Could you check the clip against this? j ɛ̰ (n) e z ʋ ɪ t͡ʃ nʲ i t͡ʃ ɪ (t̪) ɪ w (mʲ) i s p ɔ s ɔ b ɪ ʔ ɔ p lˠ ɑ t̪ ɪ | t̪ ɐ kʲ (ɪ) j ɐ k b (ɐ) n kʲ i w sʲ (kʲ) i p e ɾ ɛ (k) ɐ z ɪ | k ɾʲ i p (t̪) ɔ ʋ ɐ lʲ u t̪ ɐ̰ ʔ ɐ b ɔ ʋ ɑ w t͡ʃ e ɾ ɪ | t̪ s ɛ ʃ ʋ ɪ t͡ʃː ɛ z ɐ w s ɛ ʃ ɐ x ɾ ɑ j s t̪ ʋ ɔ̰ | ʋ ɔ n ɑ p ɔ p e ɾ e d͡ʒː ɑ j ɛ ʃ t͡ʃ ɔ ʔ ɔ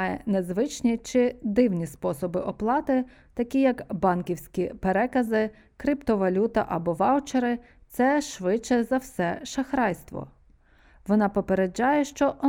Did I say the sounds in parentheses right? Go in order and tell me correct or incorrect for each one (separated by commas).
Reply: correct, incorrect, incorrect, incorrect, incorrect, correct, correct, correct